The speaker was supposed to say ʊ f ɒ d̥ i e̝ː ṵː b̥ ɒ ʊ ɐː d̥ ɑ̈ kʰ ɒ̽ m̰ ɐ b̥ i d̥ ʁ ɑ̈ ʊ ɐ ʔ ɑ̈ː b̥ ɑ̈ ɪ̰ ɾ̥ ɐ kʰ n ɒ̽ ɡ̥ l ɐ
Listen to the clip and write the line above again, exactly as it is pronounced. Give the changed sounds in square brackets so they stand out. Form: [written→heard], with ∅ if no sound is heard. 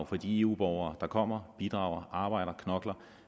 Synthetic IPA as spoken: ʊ f ɒ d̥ i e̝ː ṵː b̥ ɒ ʊ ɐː d̥ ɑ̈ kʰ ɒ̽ m̰ ɐ b̥ i d̥ ʁ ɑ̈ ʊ ɐ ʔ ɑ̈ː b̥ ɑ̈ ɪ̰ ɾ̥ ɐ kʰ n ɒ̽ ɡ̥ l ɐ

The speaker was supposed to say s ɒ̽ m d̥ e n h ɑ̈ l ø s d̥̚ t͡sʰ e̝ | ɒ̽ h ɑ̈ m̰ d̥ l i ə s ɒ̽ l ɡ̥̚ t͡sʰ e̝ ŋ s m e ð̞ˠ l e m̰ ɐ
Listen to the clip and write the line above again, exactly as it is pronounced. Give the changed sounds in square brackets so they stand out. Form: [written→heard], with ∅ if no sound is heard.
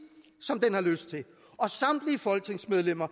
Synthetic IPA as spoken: s ɒ̽ m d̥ e n h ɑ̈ l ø s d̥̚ t͡sʰ e̝ | ɒ̽ [h→s] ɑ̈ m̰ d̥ l i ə [s→f] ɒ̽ l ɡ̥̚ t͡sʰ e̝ ŋ s m e ð̞ˠ l e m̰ ɐ

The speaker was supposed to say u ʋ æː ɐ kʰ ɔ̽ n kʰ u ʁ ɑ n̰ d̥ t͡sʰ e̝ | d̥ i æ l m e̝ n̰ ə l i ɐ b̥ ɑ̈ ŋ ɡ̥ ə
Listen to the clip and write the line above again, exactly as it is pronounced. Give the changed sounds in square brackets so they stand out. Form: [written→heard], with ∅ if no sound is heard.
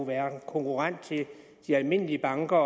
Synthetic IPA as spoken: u ʋ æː ɐ kʰ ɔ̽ [n→ŋ] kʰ u ʁ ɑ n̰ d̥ t͡sʰ e̝ | d̥ i æ l m e̝ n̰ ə l i [ɐ→ə] b̥ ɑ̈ ŋ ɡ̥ [ə→ɐ]

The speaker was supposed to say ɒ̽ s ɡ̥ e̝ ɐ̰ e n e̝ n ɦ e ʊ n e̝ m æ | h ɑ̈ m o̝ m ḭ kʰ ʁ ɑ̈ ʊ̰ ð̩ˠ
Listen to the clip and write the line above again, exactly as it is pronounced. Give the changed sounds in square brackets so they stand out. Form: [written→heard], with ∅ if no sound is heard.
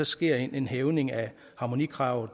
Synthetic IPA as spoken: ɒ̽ s ɡ̥ e̝ ɐ̰ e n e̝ n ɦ e ʊ n e̝ [m→ŋ] æ | h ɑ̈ m o̝ [m→n] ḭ kʰ ʁ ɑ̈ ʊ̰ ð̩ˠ

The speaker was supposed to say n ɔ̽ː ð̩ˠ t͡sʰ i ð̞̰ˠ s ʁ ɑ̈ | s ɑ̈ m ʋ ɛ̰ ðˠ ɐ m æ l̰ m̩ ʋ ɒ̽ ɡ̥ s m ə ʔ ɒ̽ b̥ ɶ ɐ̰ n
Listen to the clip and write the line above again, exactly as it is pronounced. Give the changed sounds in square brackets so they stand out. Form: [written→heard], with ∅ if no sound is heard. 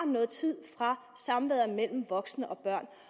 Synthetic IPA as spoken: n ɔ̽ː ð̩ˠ t͡sʰ i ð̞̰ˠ [s→f] ʁ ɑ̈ | s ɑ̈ m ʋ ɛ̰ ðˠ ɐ m [æ→e] l̰ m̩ ʋ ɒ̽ ɡ̥ s [m→n] ə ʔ ɒ̽ b̥ ɶ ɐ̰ n

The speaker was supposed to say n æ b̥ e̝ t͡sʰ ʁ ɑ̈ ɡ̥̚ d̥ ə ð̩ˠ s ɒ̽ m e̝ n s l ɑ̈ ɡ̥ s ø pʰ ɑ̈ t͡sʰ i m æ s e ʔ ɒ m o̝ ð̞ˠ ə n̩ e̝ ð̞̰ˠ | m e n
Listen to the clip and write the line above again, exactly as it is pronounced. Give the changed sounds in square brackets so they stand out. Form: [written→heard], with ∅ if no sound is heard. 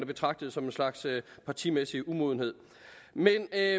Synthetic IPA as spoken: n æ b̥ e̝ t͡sʰ ʁ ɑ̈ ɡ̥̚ d̥ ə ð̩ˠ s ɒ̽ m e̝ n s l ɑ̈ ɡ̥ s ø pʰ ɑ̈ t͡sʰ i m [æ→e] s [e→i] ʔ [ɒ→u] m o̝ ð̞ˠ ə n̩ e̝ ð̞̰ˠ | m e n

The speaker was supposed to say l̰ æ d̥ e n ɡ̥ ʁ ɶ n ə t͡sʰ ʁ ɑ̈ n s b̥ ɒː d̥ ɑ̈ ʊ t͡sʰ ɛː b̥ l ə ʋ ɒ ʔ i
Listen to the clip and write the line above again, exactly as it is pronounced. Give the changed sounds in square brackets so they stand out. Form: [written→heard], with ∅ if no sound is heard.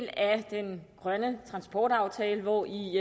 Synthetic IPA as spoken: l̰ æ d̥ e n ɡ̥ ʁ ɶ n ə t͡sʰ ʁ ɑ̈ n s b̥ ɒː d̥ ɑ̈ ʊ t͡sʰ ɛː [b̥→∅] l ə ʋ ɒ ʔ i

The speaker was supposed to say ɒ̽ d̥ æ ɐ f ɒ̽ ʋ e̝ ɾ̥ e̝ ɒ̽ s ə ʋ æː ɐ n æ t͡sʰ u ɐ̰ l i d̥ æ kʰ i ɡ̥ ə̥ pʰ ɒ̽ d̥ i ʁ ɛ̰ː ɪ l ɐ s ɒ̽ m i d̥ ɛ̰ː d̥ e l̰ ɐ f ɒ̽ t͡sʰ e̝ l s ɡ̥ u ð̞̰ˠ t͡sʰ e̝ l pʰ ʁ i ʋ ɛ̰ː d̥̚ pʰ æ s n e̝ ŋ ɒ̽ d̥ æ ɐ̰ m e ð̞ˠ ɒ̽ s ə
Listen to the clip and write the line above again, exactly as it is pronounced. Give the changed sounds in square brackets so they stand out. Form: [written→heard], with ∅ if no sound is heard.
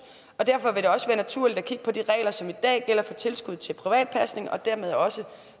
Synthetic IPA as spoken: ɒ̽ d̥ æ ɐ f ɒ̽ ʋ e̝ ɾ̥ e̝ ɒ̽ s ə ʋ æː ɐ n æ t͡sʰ u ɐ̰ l i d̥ æ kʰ i ɡ̥ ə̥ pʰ ɒ̽ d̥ i ʁ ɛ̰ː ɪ l ɐ s ɒ̽ m i d̥ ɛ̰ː [d̥→ɡ̥] e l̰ ɐ f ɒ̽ t͡sʰ e̝ l s ɡ̥ u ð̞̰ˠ t͡sʰ e̝ l pʰ ʁ i ʋ ɛ̰ː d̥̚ pʰ æ s n e̝ ŋ ɒ̽ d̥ æ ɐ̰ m e ð̞ˠ ɒ̽ s ə

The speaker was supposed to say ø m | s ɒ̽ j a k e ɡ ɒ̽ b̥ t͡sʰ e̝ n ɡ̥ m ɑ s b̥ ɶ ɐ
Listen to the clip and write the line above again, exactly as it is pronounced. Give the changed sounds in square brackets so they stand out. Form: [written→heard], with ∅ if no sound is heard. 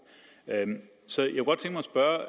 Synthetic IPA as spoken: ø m | s ɒ̽ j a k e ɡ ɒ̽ [b̥→d̥] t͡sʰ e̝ [n→ŋ] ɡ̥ m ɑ s b̥ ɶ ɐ

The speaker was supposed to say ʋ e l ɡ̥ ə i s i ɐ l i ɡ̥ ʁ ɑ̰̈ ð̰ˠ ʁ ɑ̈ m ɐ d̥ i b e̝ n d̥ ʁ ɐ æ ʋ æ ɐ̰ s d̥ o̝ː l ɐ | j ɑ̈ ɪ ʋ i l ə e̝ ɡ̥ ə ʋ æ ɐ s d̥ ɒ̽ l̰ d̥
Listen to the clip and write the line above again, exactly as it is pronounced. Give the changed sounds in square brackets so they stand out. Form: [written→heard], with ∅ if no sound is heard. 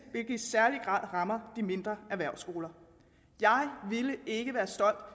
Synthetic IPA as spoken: ʋ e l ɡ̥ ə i s [i→æ] ɐ l i ɡ̥ ʁ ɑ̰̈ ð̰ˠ ʁ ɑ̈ m ɐ d̥ i [b→m] e̝ n d̥ ʁ ɐ æ ʋ æ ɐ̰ s [d̥→ɡ̥] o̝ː l ɐ | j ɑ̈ ɪ ʋ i l ə e̝ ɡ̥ ə ʋ [æ→æː] ɐ s d̥ ɒ̽ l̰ d̥

